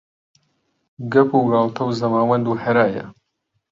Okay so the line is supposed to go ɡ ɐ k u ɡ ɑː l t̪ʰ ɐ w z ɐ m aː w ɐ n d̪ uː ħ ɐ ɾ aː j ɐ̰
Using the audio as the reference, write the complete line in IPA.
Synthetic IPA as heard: ɡ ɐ p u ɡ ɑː l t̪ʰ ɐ w z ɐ m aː w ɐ n d̪ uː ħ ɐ ɾ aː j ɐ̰